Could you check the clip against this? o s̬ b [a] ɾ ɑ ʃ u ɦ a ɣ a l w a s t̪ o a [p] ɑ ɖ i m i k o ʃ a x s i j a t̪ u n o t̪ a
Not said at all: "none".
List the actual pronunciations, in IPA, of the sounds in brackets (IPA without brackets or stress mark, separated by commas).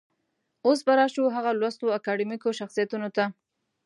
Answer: a, k